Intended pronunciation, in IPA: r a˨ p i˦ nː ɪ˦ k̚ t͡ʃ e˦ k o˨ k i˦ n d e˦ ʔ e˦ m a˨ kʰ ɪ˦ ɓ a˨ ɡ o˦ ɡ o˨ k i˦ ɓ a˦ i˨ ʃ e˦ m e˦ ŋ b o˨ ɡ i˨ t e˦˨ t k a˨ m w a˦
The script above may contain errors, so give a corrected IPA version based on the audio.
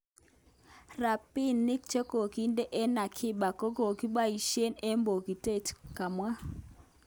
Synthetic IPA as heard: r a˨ p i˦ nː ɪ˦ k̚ t͡ʃ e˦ k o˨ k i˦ n d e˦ ʔ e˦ n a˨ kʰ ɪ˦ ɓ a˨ k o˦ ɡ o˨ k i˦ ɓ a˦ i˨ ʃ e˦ n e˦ m b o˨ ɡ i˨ t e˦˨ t k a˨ m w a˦

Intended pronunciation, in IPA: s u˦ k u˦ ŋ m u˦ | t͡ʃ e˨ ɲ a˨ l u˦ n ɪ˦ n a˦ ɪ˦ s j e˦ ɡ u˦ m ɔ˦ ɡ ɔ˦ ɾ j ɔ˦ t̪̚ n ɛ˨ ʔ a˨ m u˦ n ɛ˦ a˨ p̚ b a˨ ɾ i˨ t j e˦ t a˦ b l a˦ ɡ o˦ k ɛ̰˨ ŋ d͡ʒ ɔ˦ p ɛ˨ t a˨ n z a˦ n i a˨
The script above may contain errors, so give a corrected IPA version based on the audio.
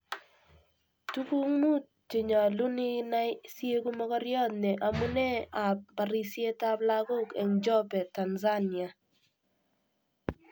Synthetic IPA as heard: t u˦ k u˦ ŋ m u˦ | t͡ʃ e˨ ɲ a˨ l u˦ n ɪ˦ n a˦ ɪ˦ s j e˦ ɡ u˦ m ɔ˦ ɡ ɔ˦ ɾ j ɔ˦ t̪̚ n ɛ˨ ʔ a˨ m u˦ n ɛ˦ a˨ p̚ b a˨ ɾ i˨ s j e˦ t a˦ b l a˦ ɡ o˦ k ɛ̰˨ ŋ d͡ʒ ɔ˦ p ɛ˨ t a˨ n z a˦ n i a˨

